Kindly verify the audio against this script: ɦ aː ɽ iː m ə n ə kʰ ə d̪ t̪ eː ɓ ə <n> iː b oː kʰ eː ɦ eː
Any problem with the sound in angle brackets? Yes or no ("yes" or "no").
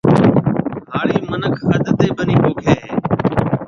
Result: no